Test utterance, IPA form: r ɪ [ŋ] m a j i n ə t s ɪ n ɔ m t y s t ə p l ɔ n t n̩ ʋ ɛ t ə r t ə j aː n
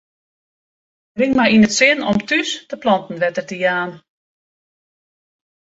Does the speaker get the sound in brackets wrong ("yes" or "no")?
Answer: no